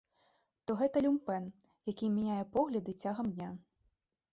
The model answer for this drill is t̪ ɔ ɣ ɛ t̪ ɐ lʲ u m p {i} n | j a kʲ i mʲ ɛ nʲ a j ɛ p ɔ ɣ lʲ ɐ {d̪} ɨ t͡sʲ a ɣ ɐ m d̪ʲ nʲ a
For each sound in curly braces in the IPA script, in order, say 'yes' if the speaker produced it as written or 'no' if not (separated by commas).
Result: no, yes